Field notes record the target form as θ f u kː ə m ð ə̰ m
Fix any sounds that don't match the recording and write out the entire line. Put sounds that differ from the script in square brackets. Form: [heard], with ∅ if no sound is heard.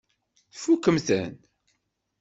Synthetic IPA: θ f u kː ə m [θ] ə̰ [n]